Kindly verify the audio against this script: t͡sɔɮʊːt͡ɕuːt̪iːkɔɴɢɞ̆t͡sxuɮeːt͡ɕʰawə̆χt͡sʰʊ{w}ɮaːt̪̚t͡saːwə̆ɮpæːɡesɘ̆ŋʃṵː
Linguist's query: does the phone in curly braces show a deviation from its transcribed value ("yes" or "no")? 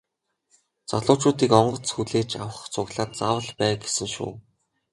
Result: yes